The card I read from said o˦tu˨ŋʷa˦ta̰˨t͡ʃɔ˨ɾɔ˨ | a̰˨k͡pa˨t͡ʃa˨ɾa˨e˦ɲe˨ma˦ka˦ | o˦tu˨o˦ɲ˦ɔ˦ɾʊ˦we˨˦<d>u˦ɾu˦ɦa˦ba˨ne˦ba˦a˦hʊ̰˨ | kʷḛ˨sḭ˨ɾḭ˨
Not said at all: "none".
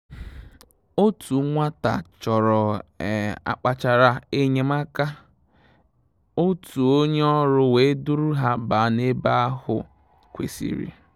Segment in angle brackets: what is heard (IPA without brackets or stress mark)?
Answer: d